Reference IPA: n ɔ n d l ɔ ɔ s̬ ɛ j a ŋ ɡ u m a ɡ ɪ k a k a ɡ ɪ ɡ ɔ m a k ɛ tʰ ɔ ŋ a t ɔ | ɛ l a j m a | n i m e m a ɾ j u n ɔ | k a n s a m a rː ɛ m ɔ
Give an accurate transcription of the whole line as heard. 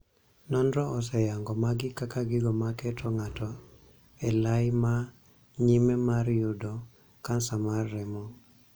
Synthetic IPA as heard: n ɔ n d ɾ ɔ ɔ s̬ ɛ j a ŋ ɡ ɔ m a ɡ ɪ k a k a ɡ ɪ ɡ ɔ m a k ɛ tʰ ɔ ŋ a t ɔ | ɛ l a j m a | ɲ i m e m a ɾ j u d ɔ | k a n s a m a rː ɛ m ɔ